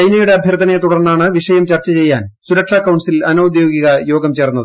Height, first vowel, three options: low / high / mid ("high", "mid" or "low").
low